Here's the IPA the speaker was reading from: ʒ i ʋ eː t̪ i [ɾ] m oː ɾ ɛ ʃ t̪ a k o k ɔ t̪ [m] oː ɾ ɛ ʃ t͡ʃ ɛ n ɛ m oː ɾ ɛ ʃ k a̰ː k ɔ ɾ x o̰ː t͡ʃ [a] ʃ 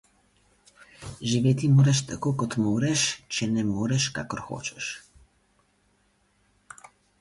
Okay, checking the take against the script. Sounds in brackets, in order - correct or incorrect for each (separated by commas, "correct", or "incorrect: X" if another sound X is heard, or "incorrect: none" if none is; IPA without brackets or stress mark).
incorrect: none, correct, incorrect: ɛ